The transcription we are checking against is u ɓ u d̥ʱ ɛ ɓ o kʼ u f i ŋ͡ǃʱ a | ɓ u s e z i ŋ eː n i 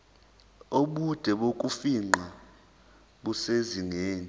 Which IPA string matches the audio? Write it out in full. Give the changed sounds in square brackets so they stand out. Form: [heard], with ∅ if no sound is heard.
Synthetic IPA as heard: [o] ɓ u d̥ʱ ɛ ɓ o kʼ u f i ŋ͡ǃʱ a | ɓ u s e z i ŋ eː n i